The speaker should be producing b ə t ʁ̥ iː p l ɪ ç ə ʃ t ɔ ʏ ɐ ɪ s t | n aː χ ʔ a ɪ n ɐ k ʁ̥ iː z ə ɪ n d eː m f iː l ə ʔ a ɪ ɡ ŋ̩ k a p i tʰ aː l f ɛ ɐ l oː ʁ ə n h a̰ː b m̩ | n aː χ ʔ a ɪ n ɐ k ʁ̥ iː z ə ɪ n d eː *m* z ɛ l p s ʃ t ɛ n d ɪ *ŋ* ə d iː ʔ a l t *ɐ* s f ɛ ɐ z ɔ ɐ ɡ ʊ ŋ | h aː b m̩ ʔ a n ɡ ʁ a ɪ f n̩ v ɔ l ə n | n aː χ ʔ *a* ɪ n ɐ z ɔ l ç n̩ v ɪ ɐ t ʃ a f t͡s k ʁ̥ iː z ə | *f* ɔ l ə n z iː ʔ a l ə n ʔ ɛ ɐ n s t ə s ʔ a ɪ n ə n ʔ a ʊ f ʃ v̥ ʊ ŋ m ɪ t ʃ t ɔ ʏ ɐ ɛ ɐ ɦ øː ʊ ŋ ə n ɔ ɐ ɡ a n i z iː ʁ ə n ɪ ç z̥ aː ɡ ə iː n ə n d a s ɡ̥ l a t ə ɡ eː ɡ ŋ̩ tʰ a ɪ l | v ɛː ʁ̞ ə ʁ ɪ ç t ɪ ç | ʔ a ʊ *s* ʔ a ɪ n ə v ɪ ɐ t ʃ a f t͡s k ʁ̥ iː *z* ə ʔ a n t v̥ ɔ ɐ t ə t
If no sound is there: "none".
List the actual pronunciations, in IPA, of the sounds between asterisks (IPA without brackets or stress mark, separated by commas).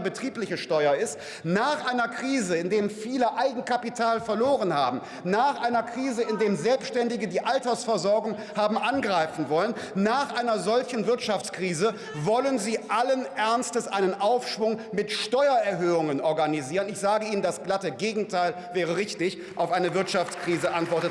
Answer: m, ɡ, ɐ, a, v, f, z